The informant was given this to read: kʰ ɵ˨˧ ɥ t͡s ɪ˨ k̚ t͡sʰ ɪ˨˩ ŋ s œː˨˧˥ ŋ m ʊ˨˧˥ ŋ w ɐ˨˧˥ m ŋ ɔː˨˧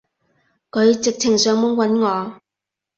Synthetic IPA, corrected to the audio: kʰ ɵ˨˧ ɥ t͡s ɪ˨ k̚ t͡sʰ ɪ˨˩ ŋ s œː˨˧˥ ŋ m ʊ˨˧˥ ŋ w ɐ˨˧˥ n ŋ ɔː˨˧